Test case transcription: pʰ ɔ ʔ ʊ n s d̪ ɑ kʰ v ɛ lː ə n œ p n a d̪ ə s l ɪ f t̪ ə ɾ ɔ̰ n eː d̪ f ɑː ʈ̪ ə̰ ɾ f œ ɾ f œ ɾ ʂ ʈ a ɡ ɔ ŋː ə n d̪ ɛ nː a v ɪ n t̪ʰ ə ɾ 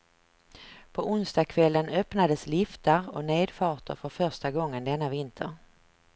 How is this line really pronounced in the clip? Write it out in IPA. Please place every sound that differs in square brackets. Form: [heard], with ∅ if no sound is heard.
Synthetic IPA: pʰ ɔ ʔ ʊ n s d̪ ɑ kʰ v ɛ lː ə n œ p n a d̪ ə s l ɪ f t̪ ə ɾ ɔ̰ n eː d̪ f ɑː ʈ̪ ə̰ ɾ f œ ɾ f œ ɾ ʂ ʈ a ɡ ɔ ŋː ə n d̪ ɛ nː a v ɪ n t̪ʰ ə ɾ